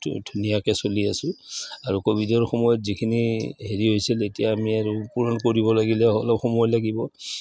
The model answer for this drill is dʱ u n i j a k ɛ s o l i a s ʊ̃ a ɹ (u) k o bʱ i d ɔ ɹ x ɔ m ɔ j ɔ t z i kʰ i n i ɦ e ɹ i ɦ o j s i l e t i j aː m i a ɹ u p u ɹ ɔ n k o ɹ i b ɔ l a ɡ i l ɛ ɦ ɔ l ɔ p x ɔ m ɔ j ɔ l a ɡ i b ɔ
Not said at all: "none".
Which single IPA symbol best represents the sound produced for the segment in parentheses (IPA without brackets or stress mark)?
u